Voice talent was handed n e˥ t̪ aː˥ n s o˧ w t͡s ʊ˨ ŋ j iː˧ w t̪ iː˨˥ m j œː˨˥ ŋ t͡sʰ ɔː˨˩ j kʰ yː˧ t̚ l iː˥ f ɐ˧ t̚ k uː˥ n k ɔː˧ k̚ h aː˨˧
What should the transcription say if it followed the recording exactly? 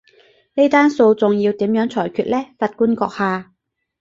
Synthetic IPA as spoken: n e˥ t̪ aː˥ n s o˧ w t͡s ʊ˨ ŋ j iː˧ w t̪ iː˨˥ m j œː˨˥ ŋ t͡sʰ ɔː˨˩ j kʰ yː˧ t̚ l ɛː˥ f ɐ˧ t̚ k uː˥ n k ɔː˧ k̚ h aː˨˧